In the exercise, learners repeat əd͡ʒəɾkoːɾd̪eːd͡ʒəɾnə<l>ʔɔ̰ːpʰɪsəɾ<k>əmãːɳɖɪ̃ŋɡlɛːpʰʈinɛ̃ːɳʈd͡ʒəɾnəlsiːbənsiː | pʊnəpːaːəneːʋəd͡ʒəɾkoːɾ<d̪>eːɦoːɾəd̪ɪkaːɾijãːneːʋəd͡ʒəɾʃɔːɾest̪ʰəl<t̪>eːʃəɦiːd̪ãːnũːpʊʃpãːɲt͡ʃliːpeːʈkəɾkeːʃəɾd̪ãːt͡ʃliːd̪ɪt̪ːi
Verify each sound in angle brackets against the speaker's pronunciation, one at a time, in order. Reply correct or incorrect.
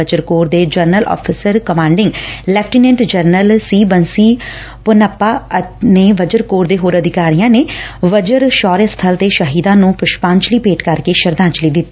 correct, correct, correct, correct

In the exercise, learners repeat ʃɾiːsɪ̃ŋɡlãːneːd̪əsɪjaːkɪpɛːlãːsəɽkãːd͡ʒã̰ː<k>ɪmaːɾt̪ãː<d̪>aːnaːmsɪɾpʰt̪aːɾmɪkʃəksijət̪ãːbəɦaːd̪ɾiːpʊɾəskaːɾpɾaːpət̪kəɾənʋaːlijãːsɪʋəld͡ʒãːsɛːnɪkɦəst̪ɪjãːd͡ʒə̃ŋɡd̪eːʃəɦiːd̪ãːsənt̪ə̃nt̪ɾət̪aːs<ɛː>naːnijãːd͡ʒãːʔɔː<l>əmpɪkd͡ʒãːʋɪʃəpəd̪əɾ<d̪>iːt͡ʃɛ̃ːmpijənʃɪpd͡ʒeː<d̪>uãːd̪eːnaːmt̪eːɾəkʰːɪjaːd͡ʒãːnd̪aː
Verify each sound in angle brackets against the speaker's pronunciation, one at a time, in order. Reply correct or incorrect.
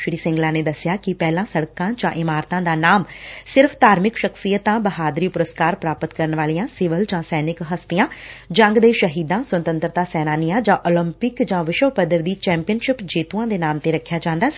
incorrect, correct, correct, correct, correct, incorrect

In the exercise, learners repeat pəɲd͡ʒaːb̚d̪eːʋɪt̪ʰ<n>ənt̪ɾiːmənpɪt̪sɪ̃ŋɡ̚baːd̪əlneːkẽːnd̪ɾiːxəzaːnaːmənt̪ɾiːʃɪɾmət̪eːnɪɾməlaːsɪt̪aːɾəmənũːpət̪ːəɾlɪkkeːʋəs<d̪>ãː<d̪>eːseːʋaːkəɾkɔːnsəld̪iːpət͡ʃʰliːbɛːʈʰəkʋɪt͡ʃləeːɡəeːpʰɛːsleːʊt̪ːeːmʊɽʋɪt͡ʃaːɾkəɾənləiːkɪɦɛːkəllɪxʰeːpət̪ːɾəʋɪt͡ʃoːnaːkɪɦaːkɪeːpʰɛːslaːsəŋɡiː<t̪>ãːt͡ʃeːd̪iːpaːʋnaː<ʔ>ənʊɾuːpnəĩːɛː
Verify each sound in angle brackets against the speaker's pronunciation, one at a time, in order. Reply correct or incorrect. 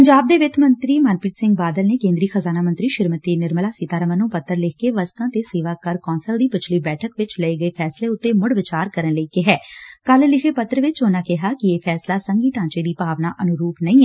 incorrect, incorrect, incorrect, correct, correct

